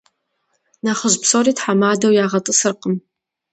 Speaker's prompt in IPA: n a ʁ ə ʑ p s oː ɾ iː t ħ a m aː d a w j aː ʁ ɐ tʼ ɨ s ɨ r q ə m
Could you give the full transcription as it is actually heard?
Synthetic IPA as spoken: n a χ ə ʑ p s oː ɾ iː t ħ a m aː d ɐ w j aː ʁ ɐ tʼ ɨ s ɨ r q ə m